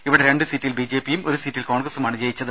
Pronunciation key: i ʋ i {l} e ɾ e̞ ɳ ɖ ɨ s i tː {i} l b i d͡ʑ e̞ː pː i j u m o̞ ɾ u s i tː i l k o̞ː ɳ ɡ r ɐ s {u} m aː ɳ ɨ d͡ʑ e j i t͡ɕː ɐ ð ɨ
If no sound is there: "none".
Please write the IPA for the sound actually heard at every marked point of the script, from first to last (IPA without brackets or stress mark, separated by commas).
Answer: ɽ, i, u